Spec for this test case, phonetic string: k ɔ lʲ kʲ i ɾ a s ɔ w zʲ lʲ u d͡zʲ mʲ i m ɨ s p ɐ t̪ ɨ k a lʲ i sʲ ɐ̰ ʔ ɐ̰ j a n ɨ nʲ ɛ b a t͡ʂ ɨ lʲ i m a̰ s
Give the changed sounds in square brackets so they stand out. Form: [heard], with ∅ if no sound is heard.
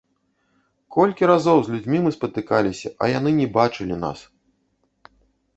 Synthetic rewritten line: k ɔ lʲ kʲ i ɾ a [z] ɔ w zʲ lʲ u d͡zʲ mʲ i m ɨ s p ɐ t̪ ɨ k a lʲ i sʲ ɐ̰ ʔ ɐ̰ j a n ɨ nʲ ɛ b a t͡ʂ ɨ lʲ i [n] a̰ s